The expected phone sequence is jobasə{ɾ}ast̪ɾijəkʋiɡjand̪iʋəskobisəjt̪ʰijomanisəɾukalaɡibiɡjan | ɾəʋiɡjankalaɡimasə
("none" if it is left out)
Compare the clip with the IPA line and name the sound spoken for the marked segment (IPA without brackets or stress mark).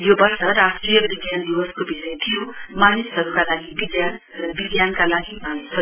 ɾ